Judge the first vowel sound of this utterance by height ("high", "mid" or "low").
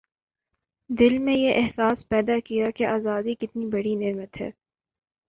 high